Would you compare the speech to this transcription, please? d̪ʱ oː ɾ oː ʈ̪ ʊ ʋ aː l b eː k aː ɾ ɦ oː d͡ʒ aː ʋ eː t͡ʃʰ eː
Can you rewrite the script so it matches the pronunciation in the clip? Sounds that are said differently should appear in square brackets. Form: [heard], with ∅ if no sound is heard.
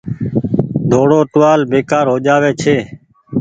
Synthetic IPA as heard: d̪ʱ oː [ɽ] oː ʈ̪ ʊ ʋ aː l b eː k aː ɾ ɦ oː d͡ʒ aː ʋ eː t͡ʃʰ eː